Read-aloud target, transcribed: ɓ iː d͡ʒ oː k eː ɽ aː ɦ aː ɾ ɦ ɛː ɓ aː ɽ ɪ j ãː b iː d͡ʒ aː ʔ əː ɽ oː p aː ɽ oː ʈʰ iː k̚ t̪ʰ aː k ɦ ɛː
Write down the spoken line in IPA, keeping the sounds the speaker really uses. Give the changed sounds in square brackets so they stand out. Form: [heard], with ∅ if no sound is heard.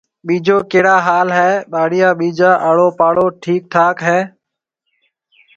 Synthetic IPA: ɓ iː d͡ʒ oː k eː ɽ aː ɦ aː [l] ɦ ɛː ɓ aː ɽ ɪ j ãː [ɓ] iː d͡ʒ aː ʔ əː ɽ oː p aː ɽ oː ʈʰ iː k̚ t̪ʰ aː k ɦ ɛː